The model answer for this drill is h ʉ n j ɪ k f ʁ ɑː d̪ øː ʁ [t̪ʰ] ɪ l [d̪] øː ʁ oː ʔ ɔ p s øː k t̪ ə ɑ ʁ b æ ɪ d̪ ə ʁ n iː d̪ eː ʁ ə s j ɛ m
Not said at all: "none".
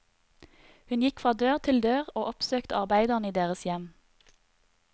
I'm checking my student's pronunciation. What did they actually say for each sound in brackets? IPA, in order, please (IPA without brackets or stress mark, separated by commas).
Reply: t̪ʰ, d̪